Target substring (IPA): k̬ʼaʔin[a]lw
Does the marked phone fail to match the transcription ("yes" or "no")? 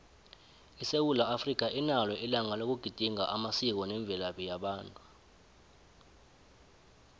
no